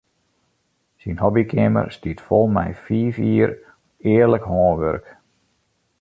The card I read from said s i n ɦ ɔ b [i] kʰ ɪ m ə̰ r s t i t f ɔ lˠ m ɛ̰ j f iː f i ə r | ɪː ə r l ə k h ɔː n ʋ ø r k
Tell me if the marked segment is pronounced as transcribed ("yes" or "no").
yes